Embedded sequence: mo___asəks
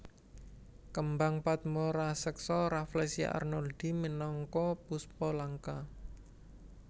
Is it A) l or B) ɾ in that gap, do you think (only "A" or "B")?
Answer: B